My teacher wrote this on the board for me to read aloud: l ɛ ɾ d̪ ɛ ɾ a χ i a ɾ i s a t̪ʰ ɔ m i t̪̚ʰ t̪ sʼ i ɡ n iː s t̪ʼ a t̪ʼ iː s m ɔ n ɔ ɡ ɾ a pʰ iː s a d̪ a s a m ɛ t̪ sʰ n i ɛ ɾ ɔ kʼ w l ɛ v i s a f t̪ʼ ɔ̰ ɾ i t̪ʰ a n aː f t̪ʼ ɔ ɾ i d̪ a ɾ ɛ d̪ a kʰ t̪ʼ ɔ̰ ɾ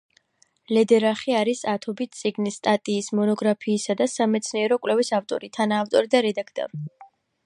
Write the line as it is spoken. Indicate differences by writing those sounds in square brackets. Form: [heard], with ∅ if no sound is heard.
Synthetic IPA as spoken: l ɛ [∅] d̪ ɛ ɾ a χ i a ɾ i s a t̪ʰ ɔ [b] i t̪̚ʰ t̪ sʼ i ɡ n [i] s t̪ʼ a t̪ʼ iː s m ɔ n ɔ ɡ ɾ a pʰ iː s a d̪ a s a m ɛ t̪ sʰ n i ɛ ɾ ɔ kʼ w l ɛ v i s a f t̪ʼ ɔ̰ ɾ i t̪ʰ a n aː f t̪ʼ ɔ ɾ i d̪ a ɾ ɛ d̪ a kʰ t̪ʼ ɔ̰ ɾ